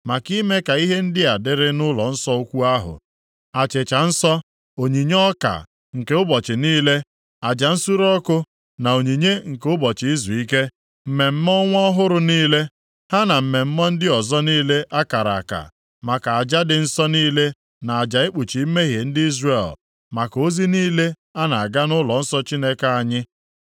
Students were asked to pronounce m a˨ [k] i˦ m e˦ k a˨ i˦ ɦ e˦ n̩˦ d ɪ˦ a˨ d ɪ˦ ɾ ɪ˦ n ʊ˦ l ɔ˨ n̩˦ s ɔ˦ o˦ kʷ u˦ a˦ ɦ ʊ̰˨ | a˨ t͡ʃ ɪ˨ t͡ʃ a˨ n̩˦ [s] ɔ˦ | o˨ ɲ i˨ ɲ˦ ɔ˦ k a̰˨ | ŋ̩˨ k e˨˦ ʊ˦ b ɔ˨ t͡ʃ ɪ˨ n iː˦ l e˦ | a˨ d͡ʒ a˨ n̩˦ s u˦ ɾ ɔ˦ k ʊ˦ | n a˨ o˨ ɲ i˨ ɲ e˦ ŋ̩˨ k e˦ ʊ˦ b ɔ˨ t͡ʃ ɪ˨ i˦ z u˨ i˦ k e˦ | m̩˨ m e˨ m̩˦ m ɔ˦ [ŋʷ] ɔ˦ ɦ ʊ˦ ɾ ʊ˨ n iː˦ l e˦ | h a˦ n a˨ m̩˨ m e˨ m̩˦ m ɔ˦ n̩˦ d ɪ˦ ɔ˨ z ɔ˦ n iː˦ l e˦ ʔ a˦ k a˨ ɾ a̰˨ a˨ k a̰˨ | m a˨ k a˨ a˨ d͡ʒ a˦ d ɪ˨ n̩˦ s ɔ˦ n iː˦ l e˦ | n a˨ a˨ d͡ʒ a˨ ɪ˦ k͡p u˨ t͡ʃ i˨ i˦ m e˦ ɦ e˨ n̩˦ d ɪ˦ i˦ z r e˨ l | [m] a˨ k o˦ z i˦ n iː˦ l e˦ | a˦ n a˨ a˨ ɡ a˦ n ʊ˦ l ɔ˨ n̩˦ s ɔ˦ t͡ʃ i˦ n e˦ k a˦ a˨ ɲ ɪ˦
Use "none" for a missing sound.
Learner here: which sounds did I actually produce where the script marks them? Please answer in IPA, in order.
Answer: k, s, ŋʷ, m

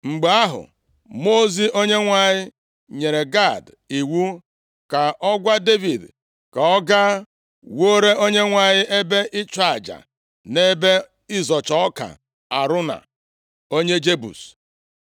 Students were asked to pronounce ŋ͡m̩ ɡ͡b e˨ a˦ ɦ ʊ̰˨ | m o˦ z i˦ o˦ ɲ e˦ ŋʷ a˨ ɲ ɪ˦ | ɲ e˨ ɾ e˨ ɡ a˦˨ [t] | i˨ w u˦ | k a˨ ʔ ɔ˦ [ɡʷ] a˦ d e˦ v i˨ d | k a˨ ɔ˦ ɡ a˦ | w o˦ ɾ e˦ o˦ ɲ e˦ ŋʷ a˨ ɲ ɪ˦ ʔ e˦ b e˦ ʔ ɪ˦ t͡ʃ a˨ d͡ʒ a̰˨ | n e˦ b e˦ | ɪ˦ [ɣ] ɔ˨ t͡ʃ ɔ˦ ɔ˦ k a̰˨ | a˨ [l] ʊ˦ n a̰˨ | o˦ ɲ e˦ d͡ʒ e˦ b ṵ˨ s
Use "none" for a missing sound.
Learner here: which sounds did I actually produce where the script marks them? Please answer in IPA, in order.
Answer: d, ɡʷ, z, ɾ

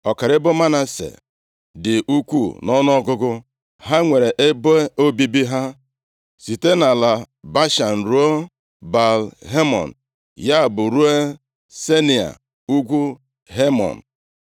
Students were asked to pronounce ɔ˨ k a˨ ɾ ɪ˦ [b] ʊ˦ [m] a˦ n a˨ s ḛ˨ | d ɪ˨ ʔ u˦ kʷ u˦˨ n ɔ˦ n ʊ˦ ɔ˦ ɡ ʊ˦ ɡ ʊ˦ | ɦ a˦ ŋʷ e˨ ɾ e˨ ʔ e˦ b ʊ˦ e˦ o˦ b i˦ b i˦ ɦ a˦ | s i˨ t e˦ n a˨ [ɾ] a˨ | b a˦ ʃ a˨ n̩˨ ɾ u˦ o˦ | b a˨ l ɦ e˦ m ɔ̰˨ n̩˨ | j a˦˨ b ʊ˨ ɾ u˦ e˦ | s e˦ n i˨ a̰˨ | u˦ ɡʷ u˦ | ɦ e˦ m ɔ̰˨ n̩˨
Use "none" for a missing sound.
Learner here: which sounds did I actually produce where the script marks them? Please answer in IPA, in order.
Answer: b, m, l

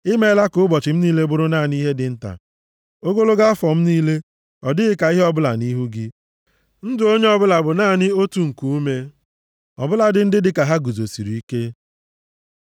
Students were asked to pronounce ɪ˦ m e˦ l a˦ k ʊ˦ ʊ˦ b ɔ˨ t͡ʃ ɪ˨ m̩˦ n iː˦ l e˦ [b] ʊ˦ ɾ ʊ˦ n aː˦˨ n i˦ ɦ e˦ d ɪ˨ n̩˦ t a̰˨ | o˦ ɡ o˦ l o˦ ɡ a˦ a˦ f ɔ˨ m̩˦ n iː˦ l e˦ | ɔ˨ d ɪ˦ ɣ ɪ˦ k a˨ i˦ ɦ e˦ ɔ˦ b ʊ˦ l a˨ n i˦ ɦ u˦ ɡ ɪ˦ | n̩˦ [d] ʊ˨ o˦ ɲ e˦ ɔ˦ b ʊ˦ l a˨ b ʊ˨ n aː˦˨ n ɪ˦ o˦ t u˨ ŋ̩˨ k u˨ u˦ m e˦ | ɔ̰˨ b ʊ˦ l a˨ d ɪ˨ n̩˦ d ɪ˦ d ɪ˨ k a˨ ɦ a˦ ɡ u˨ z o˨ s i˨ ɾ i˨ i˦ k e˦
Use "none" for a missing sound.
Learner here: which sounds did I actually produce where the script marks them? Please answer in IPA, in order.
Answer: b, d

